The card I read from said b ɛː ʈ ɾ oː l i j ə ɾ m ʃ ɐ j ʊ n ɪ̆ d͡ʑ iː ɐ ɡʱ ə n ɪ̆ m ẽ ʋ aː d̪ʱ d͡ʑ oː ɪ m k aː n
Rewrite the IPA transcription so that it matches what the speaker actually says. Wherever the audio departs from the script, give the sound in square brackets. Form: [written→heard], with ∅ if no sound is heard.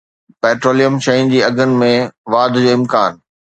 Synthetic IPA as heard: [b→p] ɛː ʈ ɾ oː l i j ə [ɾ→∅] m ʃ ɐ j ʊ n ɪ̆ d͡ʑ iː ɐ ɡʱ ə n ɪ̆ m ẽ ʋ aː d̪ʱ d͡ʑ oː ɪ m k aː n

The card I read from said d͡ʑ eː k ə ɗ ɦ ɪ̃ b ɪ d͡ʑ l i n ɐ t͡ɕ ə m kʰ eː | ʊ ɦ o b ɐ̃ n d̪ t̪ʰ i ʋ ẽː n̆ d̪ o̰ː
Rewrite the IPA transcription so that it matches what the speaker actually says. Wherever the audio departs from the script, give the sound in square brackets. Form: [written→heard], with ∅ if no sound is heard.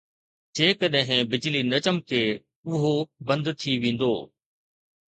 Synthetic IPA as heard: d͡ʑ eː k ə ɗ ɦ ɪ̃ b ɪ d͡ʑ l i n ɐ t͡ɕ ə m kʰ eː | ʊ ɦ o b ɐ̃ n d̪ t̪ʰ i ʋ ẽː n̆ d̪ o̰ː

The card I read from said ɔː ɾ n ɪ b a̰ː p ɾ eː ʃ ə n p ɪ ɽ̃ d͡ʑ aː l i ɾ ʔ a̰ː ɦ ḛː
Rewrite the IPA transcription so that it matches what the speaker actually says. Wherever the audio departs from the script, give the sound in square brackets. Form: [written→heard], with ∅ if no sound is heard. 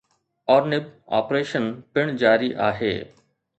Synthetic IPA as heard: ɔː ɾ n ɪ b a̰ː p ɾ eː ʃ ə n p ɪ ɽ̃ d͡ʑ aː [l→ɾ] i [ɾ→∅] ʔ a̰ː ɦ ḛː

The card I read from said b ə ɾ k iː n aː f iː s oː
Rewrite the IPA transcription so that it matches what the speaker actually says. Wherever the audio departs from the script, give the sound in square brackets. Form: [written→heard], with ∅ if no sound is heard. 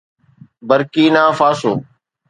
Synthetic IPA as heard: b ə ɾ k iː n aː f [iː→aː] s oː

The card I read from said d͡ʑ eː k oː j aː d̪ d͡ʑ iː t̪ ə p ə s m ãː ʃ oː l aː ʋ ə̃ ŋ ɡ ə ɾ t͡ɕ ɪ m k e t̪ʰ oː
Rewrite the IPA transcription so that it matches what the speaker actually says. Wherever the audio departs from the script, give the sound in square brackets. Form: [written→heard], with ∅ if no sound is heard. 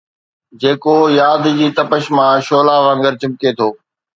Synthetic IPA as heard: d͡ʑ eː k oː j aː d̪ d͡ʑ iː t̪ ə p ə [s→ʃ] m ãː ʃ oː l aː ʋ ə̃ ŋ ɡ ə ɾ t͡ɕ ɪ m k e t̪ʰ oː

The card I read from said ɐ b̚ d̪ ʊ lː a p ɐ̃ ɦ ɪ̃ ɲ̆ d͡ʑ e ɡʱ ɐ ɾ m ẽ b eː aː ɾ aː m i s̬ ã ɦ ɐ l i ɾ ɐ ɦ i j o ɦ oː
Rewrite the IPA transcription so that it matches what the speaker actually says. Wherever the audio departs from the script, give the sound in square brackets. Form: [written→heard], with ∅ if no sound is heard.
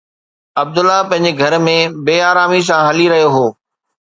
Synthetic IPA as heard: ɐ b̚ d̪ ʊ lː a p ɐ̃ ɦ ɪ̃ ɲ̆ d͡ʑ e ɡʱ ɐ ɾ m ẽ b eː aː ɾ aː m i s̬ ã ɦ ɐ l i ɾ ɐ ɦ i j o ɦ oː

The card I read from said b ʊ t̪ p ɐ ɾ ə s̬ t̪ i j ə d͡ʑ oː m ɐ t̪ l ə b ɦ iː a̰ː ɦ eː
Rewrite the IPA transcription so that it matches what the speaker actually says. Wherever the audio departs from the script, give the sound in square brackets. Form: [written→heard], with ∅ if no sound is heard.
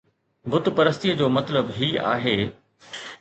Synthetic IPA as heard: b ʊ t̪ p ɐ ɾ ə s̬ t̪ i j ə d͡ʑ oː m ɐ t̪ l ə b ɦ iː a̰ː ɦ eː

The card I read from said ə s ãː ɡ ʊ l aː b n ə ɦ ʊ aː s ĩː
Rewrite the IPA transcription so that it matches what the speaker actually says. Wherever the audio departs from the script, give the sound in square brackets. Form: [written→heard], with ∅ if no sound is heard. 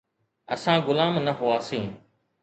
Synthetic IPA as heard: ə s ãː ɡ ʊ l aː [b→m] n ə ɦ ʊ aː s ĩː

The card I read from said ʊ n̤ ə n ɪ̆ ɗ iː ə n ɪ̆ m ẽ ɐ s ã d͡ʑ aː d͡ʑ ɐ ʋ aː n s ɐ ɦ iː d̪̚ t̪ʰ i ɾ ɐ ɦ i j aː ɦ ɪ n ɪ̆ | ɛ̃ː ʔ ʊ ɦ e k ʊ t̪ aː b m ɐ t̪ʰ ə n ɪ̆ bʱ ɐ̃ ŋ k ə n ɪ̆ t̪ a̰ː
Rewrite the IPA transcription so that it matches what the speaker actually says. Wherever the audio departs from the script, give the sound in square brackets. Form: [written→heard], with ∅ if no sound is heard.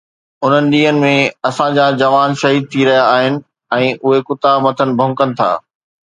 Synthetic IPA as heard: ʊ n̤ ə n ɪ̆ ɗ iː ə n ɪ̆ m ẽ ɐ s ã d͡ʑ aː d͡ʑ ɐ ʋ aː n [s→ʃ] ɐ ɦ iː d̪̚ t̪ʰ i ɾ ɐ ɦ i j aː ɦ ɪ n ɪ̆ | ɛ̃ː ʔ ʊ ɦ e k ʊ t̪ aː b m ɐ t̪ʰ ə n ɪ̆ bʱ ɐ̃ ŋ k ə n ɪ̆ [t̪→t̪ʰ] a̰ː

